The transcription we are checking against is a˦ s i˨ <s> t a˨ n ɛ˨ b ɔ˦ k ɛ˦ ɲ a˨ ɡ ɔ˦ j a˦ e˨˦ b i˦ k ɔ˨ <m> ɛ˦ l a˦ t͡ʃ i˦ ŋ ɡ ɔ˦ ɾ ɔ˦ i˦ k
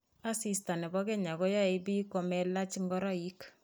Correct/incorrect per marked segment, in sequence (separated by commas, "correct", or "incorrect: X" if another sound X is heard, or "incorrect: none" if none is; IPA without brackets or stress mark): correct, correct